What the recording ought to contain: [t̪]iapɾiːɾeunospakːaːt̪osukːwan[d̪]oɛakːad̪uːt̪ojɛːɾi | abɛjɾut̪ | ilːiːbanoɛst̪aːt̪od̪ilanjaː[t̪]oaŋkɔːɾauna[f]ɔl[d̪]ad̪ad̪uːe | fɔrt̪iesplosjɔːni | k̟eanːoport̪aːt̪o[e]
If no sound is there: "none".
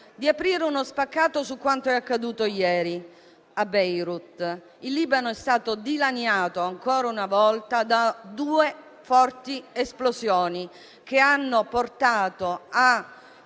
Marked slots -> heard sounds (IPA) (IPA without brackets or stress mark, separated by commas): d̪, t̪, t̪, v, t̪, a